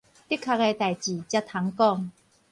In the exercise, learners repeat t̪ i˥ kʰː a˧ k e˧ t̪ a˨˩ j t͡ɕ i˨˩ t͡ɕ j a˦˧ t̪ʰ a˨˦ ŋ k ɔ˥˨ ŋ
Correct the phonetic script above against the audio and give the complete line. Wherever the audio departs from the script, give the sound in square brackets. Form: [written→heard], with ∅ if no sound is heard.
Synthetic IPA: t̪ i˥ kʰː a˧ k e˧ t̪ a˨˩ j t͡ɕ i˨˩ t͡ɕ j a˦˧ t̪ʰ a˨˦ ŋ k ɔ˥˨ ŋ